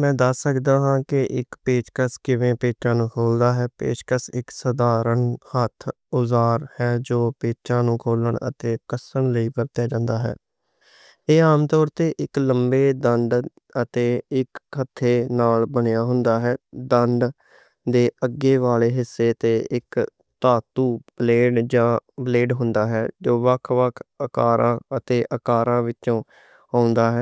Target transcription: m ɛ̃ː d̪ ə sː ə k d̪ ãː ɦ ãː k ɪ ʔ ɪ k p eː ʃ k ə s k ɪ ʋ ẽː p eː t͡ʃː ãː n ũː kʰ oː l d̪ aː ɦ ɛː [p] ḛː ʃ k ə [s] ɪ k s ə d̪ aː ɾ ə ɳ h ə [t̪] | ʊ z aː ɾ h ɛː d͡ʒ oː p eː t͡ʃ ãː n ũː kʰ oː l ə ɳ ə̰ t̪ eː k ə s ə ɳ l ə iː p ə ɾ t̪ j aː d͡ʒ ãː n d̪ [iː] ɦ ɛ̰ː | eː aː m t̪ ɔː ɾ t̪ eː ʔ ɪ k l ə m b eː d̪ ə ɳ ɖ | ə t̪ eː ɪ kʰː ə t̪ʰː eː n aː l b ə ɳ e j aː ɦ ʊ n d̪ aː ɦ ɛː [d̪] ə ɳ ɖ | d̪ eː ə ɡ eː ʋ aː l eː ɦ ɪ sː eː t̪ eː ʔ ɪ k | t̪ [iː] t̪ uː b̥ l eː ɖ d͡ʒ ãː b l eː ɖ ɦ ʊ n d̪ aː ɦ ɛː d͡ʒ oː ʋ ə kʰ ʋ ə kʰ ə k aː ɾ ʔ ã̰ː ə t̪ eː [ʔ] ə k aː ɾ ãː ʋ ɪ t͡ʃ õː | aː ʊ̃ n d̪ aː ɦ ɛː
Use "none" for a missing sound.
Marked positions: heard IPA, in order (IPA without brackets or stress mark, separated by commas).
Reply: p, s, t̪ʰ, aː, d̪, aː, ʔ